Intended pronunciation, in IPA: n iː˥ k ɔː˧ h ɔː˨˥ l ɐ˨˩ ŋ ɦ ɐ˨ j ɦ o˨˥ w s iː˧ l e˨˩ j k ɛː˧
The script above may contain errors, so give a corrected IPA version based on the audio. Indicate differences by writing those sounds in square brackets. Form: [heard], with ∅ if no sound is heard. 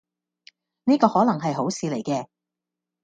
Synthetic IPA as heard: n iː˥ k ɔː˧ h ɔː˨˥ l ɐ˨˩ ŋ ɦ ɐ˨ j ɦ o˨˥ w s iː˧ l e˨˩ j k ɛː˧